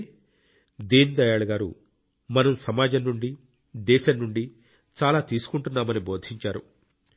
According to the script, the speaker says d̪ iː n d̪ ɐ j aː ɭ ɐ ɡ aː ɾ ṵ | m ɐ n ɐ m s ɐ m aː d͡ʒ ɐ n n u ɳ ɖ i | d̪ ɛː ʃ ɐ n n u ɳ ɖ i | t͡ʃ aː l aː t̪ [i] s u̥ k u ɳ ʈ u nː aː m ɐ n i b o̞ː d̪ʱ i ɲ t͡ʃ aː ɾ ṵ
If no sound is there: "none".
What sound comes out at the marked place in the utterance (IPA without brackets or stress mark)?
iː